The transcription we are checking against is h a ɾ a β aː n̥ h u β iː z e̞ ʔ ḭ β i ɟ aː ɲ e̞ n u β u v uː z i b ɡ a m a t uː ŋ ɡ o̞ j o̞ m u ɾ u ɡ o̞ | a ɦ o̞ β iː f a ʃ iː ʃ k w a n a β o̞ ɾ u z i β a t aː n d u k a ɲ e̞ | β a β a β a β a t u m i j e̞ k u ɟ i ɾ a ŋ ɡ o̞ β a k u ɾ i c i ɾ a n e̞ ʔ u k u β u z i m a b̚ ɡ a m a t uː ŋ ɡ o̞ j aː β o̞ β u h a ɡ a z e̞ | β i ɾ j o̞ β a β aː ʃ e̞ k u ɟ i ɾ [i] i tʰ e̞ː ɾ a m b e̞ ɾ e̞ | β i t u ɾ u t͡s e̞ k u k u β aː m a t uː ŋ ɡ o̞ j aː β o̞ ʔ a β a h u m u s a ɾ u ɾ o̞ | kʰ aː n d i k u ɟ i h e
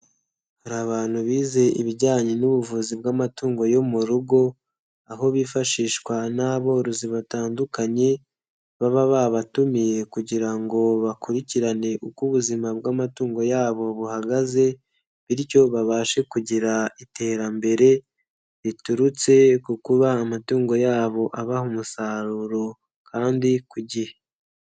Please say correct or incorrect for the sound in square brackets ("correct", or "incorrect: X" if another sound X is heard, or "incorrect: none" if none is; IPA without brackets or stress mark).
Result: incorrect: a